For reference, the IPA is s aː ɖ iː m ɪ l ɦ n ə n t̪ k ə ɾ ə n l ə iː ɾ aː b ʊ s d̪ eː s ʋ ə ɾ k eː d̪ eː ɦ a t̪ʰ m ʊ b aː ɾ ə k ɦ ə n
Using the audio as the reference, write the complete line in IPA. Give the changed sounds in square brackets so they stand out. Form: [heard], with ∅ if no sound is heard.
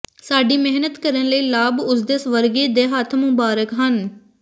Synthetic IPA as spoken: s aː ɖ iː m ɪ [∅] ɦ n ə [∅] t̪ k ə ɾ ə n l ə iː [l] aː b ʊ s d̪ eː s ʋ ə ɾ [ɡ] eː d̪ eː ɦ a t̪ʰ m ʊ b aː ɾ ə k ɦ ə n